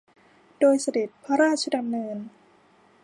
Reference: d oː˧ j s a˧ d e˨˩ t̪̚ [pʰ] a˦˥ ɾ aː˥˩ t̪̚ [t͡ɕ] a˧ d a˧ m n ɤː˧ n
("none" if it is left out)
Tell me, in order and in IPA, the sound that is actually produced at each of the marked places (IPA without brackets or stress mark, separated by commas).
pʰ, t͡ɕʰ